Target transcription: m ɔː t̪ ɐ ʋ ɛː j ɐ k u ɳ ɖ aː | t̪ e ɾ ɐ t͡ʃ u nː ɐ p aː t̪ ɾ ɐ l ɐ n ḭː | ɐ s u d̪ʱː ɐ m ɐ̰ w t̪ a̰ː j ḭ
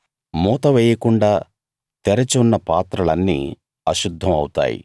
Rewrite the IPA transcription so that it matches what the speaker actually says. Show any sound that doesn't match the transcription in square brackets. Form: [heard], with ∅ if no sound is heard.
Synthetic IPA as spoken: m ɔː t̪ ɐ ʋ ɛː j ɐ k u ɳ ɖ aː | t̪ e ɾ ɐ t͡ʃ u nː ɐ p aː t̪ ɾ ɐ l ɐ [nː] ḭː | ɐ [ʃ] u d̪ʱː ɐ m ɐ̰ w t̪ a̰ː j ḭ